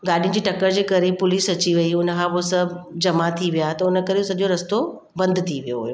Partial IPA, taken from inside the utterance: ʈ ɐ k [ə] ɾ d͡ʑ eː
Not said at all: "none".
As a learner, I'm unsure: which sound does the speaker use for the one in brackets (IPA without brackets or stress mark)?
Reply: ə